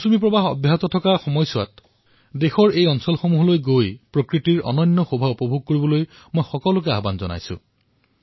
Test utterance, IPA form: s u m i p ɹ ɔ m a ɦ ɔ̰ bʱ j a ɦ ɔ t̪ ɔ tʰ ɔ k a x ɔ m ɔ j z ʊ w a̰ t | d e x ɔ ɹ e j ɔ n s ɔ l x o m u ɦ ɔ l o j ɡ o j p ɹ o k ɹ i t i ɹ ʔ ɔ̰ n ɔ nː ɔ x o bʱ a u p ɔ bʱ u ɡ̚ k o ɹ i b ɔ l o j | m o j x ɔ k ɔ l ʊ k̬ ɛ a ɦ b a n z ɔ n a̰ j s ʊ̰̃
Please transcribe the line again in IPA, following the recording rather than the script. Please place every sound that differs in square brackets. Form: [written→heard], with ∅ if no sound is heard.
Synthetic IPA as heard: s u m i p ɹ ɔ [m→b] a ɦ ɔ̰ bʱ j a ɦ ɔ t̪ ɔ tʰ ɔ k a x ɔ m ɔ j [z→s] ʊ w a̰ t | d e x ɔ ɹ e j ɔ n s ɔ l x o m u ɦ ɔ l o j ɡ o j p ɹ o k ɹ i t i ɹ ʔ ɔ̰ n ɔ nː ɔ x o bʱ a u p ɔ bʱ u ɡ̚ k o ɹ i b ɔ l o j | m o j x ɔ k ɔ l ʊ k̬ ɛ a ɦ b a n z ɔ n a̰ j s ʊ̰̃